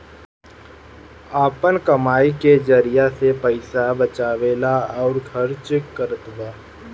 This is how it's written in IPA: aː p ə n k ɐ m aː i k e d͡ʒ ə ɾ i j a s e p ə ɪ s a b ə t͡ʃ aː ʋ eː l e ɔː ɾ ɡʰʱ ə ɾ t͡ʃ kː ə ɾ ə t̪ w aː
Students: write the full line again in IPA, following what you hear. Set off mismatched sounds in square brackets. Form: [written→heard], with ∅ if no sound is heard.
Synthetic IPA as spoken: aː p ə n k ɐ m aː i k e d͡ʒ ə ɾ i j a s e p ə ɪ s a b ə t͡ʃ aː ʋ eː l [e→a] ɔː ɾ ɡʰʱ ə ɾ t͡ʃ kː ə ɾ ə t̪ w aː